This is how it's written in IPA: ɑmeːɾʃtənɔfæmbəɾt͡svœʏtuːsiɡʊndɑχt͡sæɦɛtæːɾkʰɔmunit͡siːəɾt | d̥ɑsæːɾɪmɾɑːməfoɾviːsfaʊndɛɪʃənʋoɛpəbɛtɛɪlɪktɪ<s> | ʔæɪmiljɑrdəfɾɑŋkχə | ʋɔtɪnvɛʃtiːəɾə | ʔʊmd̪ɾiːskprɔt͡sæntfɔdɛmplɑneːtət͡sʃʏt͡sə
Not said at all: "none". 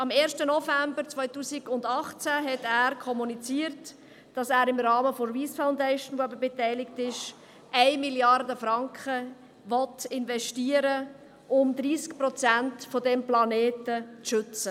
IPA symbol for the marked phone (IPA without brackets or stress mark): ʃ